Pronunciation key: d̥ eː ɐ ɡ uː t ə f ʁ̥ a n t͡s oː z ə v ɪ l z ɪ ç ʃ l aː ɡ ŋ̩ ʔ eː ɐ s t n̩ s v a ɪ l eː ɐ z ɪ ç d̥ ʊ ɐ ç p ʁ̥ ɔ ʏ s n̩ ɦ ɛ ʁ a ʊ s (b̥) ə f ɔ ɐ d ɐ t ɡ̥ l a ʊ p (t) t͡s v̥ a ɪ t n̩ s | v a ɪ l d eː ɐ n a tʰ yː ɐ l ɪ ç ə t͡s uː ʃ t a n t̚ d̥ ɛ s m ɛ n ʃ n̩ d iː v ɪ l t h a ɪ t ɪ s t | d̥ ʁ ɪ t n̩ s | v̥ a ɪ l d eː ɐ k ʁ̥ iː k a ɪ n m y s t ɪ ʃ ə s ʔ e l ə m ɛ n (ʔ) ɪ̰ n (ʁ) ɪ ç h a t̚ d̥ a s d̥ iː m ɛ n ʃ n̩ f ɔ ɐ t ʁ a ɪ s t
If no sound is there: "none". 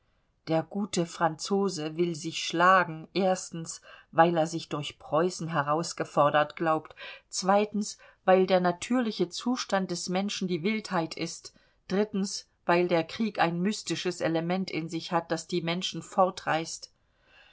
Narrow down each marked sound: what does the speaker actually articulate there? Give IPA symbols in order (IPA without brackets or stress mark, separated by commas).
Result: ɡ̥, t, t, z